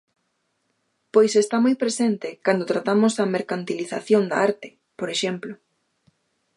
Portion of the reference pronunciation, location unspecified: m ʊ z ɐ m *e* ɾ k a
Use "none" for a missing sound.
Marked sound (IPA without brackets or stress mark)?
e